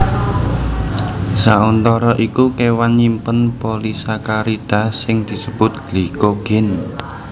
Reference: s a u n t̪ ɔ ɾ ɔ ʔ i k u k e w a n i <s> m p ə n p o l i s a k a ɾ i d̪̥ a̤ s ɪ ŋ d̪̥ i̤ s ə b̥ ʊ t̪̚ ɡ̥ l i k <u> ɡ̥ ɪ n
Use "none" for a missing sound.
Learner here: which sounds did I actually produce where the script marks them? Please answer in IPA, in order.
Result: none, o

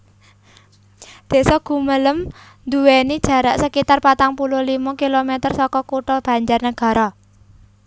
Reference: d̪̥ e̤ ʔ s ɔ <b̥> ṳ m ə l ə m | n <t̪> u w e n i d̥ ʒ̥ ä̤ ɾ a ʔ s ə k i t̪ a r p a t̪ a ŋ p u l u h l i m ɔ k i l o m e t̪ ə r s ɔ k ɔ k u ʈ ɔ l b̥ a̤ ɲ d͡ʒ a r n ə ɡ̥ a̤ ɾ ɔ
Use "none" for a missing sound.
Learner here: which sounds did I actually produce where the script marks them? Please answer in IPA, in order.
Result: ɡ̥, d̪

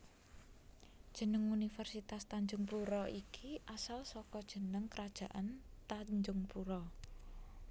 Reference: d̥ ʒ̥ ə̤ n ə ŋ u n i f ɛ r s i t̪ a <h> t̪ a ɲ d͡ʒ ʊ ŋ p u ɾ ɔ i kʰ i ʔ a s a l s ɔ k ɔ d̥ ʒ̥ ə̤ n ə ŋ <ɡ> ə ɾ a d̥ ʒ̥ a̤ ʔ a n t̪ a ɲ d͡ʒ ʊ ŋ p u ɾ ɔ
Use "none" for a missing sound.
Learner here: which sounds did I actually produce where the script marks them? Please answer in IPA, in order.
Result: s, k

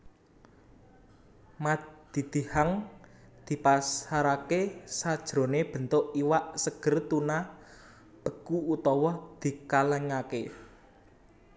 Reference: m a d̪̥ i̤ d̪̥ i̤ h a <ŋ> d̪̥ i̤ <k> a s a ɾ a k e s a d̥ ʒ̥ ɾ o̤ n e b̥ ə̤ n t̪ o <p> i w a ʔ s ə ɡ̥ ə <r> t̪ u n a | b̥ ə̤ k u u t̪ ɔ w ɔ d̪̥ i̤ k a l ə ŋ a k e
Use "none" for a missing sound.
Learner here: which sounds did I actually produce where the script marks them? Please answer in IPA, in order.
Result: ŋ, p, ʔ, r

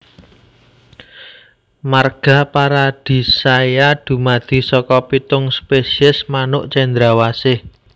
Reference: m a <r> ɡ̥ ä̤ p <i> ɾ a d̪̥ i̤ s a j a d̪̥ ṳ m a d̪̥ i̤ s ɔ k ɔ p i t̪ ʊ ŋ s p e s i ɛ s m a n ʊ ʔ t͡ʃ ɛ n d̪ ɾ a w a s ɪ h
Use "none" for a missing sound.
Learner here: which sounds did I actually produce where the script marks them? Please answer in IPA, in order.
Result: r, a

